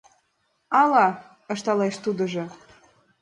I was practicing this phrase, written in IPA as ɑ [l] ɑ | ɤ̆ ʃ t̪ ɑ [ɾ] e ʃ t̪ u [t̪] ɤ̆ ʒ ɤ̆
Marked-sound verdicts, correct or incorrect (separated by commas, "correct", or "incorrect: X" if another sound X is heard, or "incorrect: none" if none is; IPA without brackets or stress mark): correct, incorrect: l, incorrect: d̪